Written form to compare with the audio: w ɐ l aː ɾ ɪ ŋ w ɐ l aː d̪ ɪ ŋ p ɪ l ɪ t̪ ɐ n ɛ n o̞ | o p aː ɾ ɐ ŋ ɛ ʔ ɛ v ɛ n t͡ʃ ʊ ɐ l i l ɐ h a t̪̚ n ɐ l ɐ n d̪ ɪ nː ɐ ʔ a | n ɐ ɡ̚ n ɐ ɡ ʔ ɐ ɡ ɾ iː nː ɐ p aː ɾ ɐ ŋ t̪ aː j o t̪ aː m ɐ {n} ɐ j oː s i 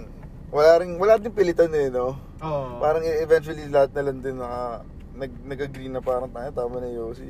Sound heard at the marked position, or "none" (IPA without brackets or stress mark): n